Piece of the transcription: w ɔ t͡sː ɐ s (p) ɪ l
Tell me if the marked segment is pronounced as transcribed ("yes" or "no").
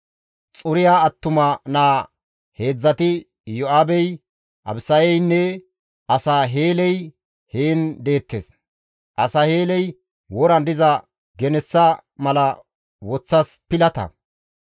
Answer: yes